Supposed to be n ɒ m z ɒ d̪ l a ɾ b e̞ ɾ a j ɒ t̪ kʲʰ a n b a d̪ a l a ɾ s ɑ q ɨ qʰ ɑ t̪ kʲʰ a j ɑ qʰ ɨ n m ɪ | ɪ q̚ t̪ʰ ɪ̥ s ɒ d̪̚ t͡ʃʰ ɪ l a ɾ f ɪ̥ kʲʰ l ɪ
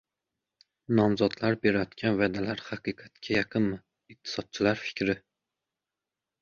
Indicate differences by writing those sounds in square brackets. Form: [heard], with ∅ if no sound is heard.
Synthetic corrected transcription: n ɒ m z ɒ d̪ l a ɾ b e̞ ɾ a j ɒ t̪ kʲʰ a n [v] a d̪ a l a ɾ [h] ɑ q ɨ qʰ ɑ t̪ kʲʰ a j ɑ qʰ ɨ n m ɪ | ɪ q̚ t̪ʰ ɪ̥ s ɒ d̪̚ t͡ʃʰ ɪ l a ɾ f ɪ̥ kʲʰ [ɾ] ɪ